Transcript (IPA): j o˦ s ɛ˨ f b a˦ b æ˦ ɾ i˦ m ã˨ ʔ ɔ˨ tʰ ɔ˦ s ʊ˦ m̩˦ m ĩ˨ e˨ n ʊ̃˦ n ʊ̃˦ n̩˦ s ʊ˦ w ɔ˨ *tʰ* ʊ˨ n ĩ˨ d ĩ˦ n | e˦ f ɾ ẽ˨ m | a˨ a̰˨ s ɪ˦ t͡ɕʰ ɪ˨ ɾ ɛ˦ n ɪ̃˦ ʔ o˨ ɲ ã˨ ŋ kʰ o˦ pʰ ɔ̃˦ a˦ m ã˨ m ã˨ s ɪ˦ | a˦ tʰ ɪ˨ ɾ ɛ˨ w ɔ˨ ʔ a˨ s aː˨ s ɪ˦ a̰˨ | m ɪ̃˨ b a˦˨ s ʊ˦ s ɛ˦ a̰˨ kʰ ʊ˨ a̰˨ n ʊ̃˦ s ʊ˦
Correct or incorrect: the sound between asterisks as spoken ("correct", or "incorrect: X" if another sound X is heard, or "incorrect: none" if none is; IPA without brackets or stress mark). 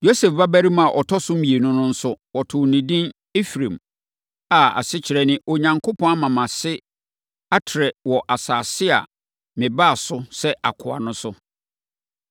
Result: correct